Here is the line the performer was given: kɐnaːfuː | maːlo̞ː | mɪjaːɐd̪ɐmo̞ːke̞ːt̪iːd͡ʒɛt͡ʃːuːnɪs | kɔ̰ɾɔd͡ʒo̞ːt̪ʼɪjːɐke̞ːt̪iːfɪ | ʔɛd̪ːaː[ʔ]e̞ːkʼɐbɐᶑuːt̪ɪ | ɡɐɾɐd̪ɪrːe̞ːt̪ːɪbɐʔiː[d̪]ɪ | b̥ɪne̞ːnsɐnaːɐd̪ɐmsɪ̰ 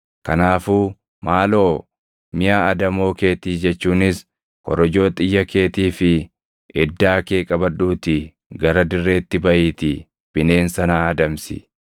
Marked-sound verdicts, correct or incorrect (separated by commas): incorrect, incorrect